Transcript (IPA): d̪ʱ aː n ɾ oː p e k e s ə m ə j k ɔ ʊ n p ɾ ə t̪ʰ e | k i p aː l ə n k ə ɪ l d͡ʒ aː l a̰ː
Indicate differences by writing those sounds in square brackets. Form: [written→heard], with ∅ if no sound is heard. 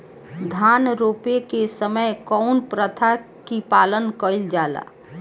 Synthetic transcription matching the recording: d̪ʱ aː n ɾ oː p e k e s ə m ə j k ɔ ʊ n p ɾ ə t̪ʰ [e→a] | k i p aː l ə n k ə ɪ l d͡ʒ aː l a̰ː